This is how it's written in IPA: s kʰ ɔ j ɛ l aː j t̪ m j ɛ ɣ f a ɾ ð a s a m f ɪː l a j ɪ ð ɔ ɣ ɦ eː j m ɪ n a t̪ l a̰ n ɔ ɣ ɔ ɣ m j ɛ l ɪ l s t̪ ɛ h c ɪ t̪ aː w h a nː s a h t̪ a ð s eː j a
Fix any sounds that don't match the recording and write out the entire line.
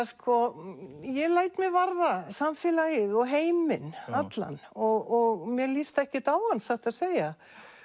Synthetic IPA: s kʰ ɔ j ɛ l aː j t̪ m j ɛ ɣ v a ɾ ð a s a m f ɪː l a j ɪ ð ɔ ɣ ɦ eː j m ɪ n a t̪ l a̰ n ɔ ɣ ɔ ɣ m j ɛ l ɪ s t̪ ɛ h c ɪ t̪ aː w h a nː s a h t̪ a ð s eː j a